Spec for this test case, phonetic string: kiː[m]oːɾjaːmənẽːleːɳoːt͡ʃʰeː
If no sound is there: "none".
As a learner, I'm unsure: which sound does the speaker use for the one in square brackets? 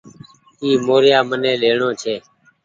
m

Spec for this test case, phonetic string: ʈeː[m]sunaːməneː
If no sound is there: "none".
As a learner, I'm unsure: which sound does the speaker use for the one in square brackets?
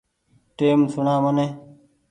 m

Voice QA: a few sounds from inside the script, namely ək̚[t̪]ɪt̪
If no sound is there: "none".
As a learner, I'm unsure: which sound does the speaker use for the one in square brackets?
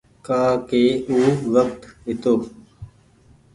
t̪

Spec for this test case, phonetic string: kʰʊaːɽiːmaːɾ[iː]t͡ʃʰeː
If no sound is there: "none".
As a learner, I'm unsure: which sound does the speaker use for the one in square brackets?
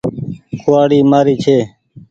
iː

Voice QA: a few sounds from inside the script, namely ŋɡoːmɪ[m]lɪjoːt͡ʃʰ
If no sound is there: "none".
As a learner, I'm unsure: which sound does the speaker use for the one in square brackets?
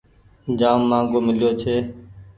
none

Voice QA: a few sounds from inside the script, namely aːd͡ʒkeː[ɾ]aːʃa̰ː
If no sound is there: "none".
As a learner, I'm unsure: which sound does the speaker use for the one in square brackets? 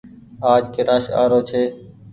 ɾ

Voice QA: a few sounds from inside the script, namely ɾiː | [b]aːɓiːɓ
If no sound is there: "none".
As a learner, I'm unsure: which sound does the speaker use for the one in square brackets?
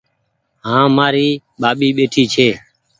ɓ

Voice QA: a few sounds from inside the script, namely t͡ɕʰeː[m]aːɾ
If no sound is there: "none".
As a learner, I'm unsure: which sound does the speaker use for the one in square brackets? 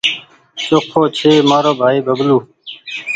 m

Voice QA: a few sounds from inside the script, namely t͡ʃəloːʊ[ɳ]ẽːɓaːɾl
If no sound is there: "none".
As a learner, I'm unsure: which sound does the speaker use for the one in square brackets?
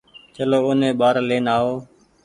n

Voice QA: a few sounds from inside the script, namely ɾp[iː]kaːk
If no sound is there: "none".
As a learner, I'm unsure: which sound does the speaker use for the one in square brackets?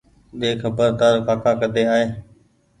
aː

